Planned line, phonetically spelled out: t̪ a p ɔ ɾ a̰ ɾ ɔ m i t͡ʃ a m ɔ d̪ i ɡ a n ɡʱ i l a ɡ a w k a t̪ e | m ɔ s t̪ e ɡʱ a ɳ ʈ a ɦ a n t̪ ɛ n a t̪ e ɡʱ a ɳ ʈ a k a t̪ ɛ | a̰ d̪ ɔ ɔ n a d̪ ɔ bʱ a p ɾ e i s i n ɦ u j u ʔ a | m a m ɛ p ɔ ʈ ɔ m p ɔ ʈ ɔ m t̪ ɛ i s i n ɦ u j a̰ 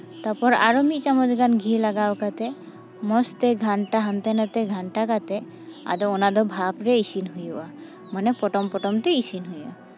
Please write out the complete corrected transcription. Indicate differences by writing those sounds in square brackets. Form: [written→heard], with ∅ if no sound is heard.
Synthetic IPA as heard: t̪ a p ɔ ɾ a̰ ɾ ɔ m i t͡ʃ a m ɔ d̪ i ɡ a n ɡʱ i l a ɡ a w k a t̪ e | m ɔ s t̪ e ɡʱ a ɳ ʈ a ɦ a n t̪ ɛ n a t̪ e ɡʱ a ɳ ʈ a k a t̪ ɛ | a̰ d̪ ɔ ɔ n a d̪ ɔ bʱ a p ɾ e i s i n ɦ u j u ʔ a | m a [m→n] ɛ p ɔ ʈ ɔ m p ɔ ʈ ɔ m t̪ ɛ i s i n ɦ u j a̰